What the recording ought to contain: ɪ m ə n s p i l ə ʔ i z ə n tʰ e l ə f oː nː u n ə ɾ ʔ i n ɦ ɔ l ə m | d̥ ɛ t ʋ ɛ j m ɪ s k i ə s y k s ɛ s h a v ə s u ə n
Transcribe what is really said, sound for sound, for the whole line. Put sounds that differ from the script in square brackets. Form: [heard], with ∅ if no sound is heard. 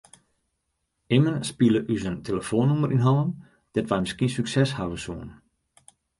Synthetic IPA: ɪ m ə n s p i l ə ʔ [y] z ə n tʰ e l ə f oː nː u [m] ə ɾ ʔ i n ɦ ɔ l ə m | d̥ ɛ t ʋ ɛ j m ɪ s k i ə s y k s ɛ s h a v ə s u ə n